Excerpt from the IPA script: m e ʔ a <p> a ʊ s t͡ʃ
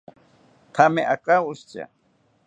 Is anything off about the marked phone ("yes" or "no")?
yes